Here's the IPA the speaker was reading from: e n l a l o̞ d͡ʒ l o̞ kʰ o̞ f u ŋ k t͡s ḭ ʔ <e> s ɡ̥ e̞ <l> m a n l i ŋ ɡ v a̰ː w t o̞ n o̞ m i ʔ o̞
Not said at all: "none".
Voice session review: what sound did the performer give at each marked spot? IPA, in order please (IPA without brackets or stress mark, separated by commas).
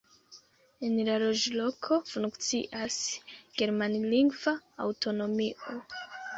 a, ɾ